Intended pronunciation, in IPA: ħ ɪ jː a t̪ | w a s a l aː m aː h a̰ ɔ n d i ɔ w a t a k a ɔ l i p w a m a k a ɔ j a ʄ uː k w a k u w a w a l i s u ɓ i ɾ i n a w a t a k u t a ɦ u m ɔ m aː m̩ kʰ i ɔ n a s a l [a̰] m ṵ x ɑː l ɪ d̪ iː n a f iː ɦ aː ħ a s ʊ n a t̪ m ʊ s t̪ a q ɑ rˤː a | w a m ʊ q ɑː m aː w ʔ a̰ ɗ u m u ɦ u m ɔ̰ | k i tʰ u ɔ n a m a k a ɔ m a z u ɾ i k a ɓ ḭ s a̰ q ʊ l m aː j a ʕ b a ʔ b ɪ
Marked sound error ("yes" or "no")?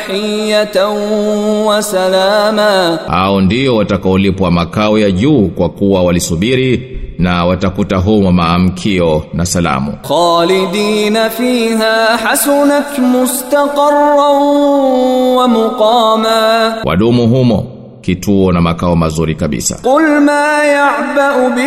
no